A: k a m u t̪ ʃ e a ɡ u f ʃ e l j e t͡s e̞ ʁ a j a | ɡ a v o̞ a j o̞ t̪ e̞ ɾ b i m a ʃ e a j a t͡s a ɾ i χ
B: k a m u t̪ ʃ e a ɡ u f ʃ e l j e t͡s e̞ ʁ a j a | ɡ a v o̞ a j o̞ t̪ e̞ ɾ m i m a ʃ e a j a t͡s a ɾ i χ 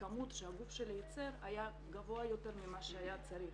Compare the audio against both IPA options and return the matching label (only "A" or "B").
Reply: B